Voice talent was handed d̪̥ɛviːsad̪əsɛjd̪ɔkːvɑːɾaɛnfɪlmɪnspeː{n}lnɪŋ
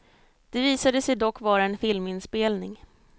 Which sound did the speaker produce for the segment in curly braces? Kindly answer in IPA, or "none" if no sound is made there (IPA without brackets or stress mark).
none